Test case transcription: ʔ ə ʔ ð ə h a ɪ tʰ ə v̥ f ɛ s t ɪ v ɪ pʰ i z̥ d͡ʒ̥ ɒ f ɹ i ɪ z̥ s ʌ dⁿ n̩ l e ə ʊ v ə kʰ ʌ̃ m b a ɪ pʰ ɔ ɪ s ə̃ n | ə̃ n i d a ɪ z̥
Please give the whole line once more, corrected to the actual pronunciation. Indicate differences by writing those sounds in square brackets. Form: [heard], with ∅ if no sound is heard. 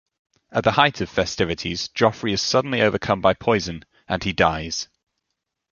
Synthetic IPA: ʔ ə ʔ ð ə h a ɪ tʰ ə v̥ f ɛ s t ɪ v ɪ [tʰ] i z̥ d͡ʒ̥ ɒ f ɹ i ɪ z̥ s ʌ dⁿ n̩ l [i] ə ʊ v ə kʰ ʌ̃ m b a ɪ pʰ ɔ ɪ [z] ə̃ n | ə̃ n i d a ɪ z̥